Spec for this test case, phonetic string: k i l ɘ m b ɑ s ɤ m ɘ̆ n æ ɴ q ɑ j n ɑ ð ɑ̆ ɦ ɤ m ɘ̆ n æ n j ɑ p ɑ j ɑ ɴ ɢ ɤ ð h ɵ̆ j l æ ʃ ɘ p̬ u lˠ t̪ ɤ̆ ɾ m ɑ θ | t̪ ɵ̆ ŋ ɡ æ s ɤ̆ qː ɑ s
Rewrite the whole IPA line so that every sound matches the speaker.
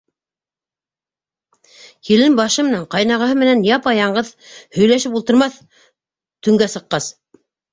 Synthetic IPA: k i l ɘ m b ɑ ʃ ɤ m ɘ̆ n æ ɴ q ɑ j n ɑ ʁ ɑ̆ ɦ ɤ m ɘ̆ n æ n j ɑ p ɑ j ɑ ɴ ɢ ɤ ð h ɵ̆ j l æ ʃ ɘ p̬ u lˠ t̪ ɤ̆ ɾ m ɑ θ | t̪ ɵ̆ ŋ ɡ æ s ɤ̆ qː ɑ s